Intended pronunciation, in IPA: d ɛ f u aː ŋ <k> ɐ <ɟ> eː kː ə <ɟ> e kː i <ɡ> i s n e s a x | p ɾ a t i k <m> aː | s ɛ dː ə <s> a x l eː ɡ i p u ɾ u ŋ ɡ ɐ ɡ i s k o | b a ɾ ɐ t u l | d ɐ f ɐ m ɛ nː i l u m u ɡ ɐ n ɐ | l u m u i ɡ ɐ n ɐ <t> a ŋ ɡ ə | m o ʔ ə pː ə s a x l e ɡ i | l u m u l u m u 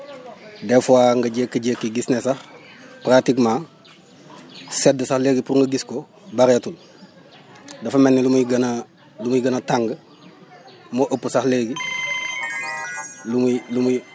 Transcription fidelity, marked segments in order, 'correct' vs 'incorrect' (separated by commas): incorrect, correct, correct, correct, correct, correct, correct